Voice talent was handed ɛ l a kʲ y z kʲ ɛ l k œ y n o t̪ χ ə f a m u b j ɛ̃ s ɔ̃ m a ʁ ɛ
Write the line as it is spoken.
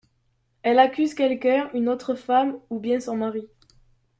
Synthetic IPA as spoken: ɛ l a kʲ y z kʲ ɛ l k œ y n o t̪ χ ə f a m u b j ɛ̃ s ɔ̃ m a ʁ i